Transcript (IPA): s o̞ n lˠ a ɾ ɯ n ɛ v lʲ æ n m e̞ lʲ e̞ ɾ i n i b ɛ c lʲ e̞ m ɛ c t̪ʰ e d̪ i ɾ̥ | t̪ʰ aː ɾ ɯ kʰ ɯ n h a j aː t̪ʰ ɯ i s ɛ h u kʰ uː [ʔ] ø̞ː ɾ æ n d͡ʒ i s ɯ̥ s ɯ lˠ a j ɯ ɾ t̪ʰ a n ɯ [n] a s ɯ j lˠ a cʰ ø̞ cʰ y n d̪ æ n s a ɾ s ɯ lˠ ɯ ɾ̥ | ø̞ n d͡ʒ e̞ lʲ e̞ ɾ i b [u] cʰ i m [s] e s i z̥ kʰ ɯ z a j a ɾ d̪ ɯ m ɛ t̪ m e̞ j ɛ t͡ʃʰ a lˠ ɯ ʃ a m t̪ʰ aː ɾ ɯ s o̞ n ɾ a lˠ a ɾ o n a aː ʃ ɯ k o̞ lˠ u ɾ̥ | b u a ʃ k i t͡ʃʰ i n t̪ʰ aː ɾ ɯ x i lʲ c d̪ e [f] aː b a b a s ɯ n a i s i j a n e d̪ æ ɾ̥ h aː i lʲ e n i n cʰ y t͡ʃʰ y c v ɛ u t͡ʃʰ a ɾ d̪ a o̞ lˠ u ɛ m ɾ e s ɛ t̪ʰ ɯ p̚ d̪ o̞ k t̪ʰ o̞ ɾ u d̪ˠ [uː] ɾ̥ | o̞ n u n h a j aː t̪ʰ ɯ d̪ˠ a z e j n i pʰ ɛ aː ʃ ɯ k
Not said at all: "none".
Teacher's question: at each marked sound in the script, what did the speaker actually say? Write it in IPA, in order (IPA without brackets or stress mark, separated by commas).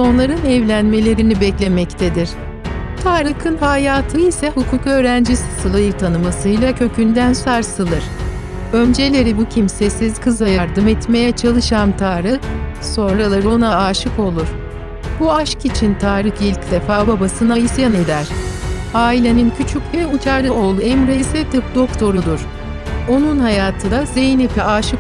k, m, u, s, f, u